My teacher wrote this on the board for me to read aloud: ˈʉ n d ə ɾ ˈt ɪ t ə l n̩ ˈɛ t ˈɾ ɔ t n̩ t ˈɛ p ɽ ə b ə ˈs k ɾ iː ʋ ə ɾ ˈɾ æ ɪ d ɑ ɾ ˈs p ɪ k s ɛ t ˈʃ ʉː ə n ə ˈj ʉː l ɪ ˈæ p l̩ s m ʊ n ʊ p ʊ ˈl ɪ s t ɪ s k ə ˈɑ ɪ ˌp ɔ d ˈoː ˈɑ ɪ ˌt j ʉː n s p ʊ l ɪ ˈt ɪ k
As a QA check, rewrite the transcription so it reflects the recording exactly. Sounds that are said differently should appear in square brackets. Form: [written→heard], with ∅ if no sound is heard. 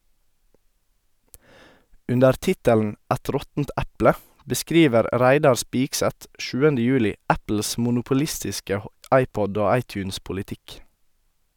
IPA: ˈʉ n d ə ɾ ˈt ɪ t ə l n̩ ˈɛ t ˈɾ ɔ t n̩ t ˈɛ p [ɽ→l] ə b ə ˈs k ɾ iː ʋ ə ɾ ˈɾ æ ɪ d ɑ ɾ ˈs p ɪ k s ɛ t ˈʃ ʉː ə n ə ˈj ʉː l ɪ ˈæ p l̩ s m ʊ n ʊ p ʊ ˈl ɪ s t ɪ s k ə ˈɑ ɪ ˌp ɔ d ˈoː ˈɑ ɪ ˌt j ʉː n s p ʊ l ɪ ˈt ɪ k